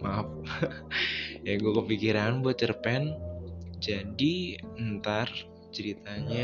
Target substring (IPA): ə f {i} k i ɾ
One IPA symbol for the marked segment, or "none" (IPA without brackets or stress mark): i